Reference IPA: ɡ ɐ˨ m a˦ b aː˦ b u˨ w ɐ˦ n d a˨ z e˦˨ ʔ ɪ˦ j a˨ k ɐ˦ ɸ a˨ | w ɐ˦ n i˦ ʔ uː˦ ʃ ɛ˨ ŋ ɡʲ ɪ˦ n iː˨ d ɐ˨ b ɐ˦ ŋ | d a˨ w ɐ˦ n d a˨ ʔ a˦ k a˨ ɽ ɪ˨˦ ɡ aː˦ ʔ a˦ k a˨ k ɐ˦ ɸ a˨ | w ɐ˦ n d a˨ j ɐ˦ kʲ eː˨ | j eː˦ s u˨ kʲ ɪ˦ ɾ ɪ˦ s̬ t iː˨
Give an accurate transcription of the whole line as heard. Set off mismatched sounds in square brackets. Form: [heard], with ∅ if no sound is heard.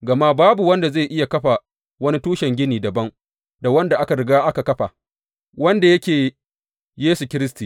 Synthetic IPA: ɡ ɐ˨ m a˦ b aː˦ b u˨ w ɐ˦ n d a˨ z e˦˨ ʔ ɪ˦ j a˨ k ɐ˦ ɸ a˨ | w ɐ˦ n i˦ [t] uː˦ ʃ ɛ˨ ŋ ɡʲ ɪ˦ n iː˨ d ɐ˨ b ɐ˦ ŋ | d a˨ w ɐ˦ n d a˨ ʔ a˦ k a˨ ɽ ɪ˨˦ ɡ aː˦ ʔ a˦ k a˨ k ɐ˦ ɸ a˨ | w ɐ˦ n d a˨ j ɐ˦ kʲ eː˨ | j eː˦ s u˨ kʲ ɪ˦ ɾ ɪ˦ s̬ t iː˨